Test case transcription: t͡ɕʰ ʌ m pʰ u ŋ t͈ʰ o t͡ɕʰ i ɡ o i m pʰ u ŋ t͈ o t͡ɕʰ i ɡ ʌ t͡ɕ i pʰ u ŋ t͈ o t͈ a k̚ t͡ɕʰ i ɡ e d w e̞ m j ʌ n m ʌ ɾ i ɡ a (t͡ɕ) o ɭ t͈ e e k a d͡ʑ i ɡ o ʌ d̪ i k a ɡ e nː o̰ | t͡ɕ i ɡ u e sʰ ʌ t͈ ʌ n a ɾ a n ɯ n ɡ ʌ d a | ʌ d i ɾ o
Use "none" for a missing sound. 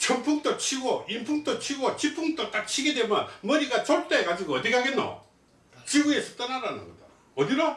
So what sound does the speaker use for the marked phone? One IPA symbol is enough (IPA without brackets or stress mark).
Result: t͡ɕ